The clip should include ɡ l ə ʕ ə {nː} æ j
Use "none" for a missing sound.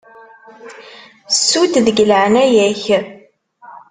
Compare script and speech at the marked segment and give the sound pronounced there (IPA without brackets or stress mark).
n